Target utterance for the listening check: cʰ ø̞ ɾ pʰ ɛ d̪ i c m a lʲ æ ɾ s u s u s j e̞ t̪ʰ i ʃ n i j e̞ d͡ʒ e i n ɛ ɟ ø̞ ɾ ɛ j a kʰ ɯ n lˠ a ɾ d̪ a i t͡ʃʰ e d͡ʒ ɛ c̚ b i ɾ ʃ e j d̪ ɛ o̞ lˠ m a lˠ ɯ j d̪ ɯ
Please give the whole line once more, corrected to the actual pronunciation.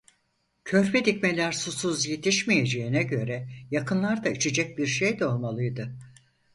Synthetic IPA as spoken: cʰ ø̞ ɾ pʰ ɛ d̪ i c m e lʲ æ ɾ s u s u z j e̞ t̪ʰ i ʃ m i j e̞ d͡ʒ e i n ɛ ɟ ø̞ ɾ ɛ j a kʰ ɯ n lˠ a ɾ d̪ a i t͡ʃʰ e d͡ʒ ɛ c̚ b i ɾ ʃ e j d̪ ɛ o̞ lˠ m a lˠ ɯ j d̪ ɯ